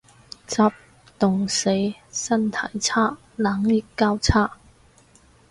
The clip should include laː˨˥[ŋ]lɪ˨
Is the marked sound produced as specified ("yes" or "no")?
yes